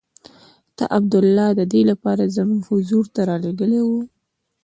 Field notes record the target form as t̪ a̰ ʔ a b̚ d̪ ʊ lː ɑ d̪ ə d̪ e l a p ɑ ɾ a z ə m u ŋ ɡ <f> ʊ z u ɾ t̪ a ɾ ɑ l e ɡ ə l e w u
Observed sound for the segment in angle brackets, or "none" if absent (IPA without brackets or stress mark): h